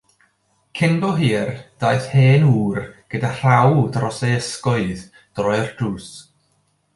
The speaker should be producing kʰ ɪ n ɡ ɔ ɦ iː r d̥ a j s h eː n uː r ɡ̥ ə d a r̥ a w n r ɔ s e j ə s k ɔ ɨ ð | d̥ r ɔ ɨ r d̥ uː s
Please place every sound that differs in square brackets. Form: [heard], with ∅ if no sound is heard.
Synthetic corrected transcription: kʰ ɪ n [b] ɔ ɦ iː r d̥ a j [θ] h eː n uː r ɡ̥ ə d a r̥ a w [d] r ɔ s e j ə s k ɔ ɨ ð | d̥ r ɔ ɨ r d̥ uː s